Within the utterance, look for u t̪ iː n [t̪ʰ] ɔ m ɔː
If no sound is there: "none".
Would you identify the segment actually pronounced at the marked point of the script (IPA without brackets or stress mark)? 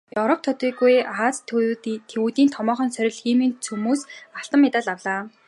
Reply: t̪ʰ